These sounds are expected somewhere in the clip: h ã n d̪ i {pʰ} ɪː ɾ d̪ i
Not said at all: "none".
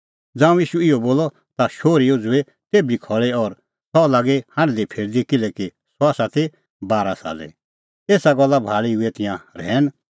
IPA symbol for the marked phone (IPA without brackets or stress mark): pʰ